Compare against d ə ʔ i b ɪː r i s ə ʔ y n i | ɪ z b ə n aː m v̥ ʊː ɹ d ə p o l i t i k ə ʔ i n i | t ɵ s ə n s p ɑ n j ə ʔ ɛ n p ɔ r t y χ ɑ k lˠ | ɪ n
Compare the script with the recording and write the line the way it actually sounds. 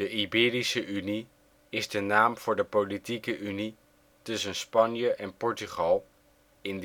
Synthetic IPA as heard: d ə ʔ i b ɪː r i s ə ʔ y n i | ɪ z d ə n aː m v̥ ʊː ɹ d ə p o l i t i k ə ʔ y n i | t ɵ s ə n s p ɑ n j ə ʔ ɛ n p ɔ ɹ t y χ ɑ lˠ | ɪ n